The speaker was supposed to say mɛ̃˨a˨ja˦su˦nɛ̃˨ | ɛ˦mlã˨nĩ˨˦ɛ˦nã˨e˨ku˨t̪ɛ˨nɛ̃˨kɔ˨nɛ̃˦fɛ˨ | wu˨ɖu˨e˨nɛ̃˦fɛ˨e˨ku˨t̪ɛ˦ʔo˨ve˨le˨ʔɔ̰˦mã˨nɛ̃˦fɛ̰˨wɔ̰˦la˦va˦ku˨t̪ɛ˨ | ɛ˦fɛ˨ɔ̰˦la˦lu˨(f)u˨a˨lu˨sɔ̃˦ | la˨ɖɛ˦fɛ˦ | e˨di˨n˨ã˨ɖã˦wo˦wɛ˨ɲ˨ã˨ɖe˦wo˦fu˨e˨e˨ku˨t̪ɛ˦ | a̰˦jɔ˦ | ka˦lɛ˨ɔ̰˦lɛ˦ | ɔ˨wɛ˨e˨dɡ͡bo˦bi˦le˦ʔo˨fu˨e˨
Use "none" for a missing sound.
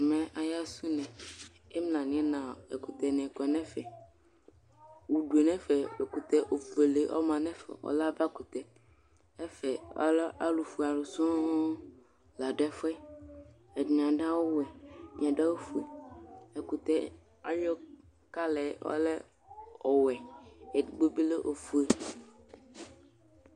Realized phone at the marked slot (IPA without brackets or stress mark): f